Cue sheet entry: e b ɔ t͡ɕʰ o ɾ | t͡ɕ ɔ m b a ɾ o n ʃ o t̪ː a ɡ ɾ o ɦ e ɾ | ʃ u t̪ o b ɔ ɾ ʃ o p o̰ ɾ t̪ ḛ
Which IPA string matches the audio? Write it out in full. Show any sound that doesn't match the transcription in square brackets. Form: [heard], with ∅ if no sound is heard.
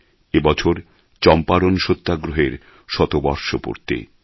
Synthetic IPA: e b ɔ t͡ɕʰ o ɾ | t͡ɕ ɔ m [p] a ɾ o n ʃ o t̪ː a ɡ ɾ o ɦ e ɾ | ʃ [ɔ] t̪ o b ɔ ɾ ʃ o p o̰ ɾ t̪ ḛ